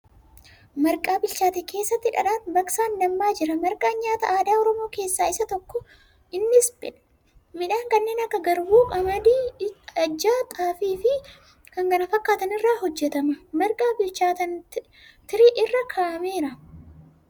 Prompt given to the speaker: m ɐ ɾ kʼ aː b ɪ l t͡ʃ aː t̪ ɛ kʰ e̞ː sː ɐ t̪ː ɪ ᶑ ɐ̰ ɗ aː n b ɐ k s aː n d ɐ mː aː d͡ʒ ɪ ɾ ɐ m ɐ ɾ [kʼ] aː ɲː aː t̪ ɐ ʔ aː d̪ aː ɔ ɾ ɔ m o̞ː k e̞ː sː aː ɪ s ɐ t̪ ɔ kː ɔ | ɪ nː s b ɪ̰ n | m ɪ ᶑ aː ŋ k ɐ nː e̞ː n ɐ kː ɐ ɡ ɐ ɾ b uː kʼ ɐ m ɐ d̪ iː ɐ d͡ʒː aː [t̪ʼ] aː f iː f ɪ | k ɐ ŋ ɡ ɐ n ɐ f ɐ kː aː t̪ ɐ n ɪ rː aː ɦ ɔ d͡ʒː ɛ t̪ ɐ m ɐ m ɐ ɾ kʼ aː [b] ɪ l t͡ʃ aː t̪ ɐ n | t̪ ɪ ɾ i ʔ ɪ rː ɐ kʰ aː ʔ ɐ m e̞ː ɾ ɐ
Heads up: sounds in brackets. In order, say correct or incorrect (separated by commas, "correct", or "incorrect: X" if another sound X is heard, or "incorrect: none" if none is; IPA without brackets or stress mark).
correct, correct, correct